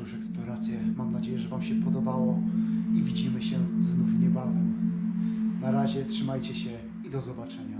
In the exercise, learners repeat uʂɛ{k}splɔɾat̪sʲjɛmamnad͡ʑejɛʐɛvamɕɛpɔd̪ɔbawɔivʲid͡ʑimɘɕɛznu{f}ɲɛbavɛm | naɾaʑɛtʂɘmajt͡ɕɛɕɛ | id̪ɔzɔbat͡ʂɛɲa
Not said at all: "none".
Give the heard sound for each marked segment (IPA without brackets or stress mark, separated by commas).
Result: k, f